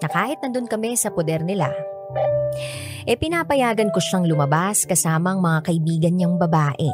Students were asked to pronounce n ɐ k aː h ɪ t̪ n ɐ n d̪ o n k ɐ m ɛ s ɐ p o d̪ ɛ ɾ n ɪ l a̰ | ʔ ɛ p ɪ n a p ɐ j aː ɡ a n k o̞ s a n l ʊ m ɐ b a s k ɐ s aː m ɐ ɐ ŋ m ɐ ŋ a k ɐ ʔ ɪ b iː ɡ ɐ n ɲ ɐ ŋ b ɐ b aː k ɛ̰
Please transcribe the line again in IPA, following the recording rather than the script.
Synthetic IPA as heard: n ɐ k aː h ɪ t̪ n ɐ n d̪ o n k ɐ m ɛ s ɐ p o d̪ ɛ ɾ n ɪ l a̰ | ʔ ɛ p ɪ n a p ɐ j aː ɡ ɐ n k o̞ ʃ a ŋ l ʊ m ɐ b a s k ɐ s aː m ɐ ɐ ŋ m ɐ ŋ a k ɐ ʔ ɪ b iː ɡ ɐ n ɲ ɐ ŋ b ɐ b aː ʔ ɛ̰